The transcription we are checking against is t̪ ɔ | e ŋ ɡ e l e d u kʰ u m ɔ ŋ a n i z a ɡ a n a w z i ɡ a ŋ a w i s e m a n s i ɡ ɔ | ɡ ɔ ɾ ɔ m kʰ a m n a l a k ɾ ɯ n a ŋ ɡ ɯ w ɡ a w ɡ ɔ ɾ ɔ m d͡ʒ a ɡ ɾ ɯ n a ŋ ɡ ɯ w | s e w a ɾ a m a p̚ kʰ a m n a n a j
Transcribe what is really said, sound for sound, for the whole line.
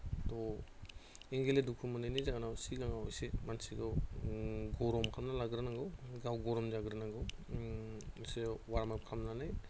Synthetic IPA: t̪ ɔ | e ŋ ɡ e l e d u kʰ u m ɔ n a n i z a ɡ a n a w s i ɡ a ŋ a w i s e m a n s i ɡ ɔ | ɡ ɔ ɾ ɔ m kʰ a m n a l a ɡ ɾ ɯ n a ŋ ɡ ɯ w ɡ a w ɡ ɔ ɾ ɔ m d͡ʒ a ɡ ɾ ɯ n a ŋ ɡ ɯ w | s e w a ɾ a m a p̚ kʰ a m n a n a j